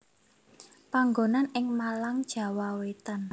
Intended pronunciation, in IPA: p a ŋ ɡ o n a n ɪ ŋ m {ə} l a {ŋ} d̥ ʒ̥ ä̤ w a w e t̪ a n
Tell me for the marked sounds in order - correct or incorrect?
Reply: incorrect: a, correct

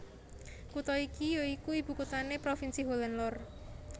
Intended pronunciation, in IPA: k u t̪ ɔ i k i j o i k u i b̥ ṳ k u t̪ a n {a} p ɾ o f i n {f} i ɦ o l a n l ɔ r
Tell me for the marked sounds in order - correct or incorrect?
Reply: incorrect: e, incorrect: s

